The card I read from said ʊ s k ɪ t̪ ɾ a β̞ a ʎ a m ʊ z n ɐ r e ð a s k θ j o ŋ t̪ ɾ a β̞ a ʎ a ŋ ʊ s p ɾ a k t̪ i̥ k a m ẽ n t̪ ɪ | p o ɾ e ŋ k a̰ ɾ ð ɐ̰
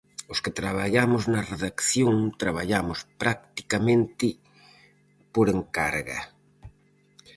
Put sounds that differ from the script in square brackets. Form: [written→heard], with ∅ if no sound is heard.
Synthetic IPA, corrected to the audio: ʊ s k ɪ t̪ ɾ a β̞ a ʎ a m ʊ z n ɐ r e ð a [s→∅] k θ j o ŋ t̪ ɾ a β̞ a ʎ a [ŋ→m] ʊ s p ɾ a k t̪ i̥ k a m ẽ n t̪ ɪ | p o ɾ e ŋ k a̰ ɾ [ð→ɣ] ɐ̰

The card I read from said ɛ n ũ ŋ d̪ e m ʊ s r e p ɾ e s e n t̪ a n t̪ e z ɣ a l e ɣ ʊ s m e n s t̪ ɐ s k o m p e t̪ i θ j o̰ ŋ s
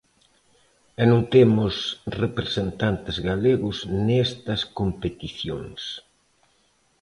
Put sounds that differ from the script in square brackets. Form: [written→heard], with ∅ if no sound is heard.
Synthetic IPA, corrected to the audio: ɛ n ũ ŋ [d̪→t̪] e m ʊ s r e p ɾ e s e n t̪ a n t̪ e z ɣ a l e ɣ ʊ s [m→n] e [n→∅] s t̪ ɐ s k o m p e t̪ i θ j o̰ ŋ s

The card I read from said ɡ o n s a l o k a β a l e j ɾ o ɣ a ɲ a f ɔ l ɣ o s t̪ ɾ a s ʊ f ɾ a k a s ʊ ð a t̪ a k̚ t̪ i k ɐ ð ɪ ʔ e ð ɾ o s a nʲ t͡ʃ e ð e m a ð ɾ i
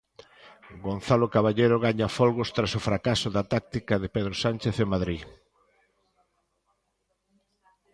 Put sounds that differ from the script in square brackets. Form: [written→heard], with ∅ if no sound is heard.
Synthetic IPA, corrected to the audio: ɡ o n [s→θ] a l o k a β a [l→ʎ] e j ɾ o ɣ a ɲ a f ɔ l ɣ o s t̪ ɾ a s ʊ f ɾ a k a s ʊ ð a t̪ a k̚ t̪ i k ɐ ð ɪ [ʔ→p] e ð ɾ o s a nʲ t͡ʃ e [ð→θ] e m a ð ɾ i

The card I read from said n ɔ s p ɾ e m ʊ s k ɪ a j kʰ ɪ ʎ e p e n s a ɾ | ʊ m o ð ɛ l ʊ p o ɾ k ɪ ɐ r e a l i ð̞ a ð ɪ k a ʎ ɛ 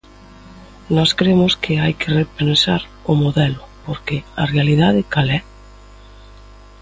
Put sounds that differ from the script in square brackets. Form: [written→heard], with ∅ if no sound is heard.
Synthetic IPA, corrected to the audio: n ɔ s [p→k] ɾ e m ʊ s k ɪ a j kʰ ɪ [ʎ→r] e p e n s a ɾ | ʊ m o ð ɛ l ʊ p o ɾ k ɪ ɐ r e a l i ð̞ a ð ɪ k a [ʎ→l] ɛ

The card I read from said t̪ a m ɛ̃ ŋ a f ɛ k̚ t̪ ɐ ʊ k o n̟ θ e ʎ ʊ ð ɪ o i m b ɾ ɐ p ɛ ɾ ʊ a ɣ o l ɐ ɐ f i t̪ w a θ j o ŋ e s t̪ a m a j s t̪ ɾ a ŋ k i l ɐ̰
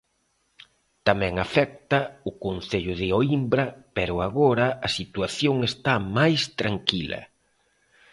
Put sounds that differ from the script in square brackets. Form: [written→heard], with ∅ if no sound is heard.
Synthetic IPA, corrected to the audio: t̪ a m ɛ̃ ŋ a f ɛ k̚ t̪ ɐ ʊ k o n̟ θ e ʎ ʊ ð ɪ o i m b ɾ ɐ p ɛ ɾ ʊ a ɣ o [l→ɾ] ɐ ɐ [f→s] i t̪ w a θ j o ŋ e s t̪ a m a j s t̪ ɾ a ŋ k i l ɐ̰

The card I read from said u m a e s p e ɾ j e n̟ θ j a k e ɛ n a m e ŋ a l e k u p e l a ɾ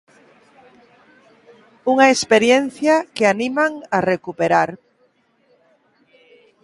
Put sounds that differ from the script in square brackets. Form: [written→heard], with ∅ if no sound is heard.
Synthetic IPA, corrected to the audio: u [m→ŋ] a e s p e ɾ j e n̟ θ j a k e [ɛ→a] n [a→i] m [e→a] ŋ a [l→r] e k u p e [l→ɾ] a ɾ

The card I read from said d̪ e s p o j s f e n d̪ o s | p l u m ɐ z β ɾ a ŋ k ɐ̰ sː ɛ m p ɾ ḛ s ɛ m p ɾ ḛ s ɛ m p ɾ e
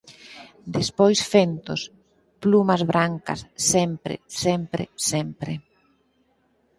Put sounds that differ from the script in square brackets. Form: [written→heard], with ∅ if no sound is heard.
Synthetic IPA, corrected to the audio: d̪ e s p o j s f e n [d̪→t̪] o s | p l u m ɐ z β ɾ a ŋ k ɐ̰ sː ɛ m p ɾ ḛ s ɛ m p ɾ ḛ s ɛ m p ɾ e

